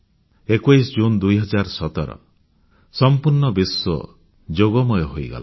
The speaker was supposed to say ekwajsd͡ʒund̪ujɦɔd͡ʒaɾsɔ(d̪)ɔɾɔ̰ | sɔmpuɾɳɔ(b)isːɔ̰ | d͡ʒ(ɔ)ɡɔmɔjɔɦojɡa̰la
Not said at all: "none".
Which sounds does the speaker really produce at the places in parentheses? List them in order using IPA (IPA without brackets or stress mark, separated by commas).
t̪, b, o